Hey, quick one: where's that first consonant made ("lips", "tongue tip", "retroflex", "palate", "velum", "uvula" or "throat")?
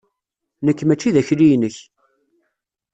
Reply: tongue tip